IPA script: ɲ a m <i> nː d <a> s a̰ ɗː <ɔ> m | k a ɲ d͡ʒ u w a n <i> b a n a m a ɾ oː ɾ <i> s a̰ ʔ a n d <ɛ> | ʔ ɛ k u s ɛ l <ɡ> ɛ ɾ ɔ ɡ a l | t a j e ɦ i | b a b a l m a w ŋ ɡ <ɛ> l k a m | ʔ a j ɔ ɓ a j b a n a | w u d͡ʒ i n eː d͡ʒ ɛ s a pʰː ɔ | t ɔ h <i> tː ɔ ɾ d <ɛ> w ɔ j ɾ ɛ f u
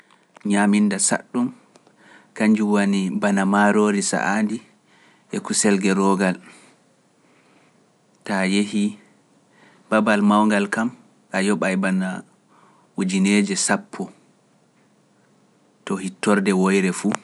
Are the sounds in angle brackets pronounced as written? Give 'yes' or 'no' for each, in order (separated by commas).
yes, yes, no, yes, yes, no, yes, no, yes, yes